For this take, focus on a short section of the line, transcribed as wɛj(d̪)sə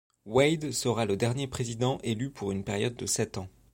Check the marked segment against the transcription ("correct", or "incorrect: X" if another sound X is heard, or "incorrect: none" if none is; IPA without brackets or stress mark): correct